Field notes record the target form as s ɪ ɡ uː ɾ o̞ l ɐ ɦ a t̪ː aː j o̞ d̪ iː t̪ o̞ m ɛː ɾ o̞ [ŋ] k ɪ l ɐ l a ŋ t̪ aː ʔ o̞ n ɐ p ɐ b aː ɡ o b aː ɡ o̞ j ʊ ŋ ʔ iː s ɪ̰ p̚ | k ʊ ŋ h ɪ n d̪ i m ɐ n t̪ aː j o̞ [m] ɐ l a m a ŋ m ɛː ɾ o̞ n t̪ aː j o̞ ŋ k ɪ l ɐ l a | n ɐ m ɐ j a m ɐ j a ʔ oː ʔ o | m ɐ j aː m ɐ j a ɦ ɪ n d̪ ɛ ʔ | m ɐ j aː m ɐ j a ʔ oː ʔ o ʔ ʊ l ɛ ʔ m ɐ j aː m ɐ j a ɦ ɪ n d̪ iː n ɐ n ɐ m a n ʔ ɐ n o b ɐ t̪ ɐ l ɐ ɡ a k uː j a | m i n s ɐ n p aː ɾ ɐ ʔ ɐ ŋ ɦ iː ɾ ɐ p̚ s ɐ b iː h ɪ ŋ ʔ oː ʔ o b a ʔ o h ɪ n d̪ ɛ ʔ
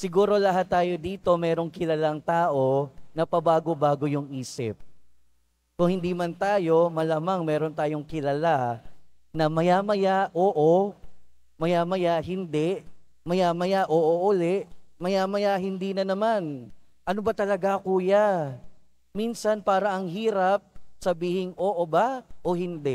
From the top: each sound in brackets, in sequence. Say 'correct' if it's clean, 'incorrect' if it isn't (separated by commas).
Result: correct, correct